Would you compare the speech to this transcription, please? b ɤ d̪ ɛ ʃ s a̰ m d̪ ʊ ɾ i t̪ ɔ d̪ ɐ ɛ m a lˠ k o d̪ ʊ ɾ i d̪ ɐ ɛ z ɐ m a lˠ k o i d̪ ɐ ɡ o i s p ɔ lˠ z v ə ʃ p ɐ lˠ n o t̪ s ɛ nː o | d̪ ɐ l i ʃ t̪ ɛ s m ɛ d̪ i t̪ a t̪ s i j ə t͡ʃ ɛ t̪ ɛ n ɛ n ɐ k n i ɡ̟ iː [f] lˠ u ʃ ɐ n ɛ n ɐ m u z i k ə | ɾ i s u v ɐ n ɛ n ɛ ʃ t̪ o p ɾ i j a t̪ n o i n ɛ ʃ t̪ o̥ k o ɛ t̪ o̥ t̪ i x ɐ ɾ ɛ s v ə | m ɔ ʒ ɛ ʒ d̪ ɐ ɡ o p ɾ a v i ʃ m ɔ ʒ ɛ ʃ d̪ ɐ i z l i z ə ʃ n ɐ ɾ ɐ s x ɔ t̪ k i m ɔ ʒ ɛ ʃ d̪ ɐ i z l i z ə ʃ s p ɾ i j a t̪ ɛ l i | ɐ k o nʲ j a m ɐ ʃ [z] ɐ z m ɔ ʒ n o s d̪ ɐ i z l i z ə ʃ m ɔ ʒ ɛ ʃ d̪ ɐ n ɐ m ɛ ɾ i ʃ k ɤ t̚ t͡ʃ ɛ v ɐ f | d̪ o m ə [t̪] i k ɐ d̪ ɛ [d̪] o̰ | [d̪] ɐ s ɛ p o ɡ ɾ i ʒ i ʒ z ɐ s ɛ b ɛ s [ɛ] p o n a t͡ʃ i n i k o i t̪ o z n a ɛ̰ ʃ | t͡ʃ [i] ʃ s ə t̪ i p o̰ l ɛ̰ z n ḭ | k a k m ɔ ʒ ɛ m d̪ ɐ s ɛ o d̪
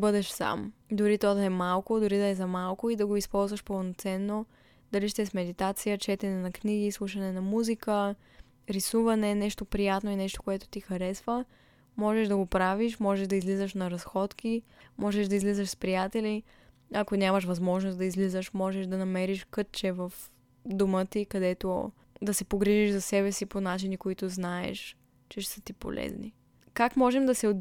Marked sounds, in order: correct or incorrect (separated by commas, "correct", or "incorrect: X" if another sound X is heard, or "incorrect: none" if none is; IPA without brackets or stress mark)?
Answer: incorrect: s, incorrect: v, correct, incorrect: t̪, correct, incorrect: i, incorrect: ɛ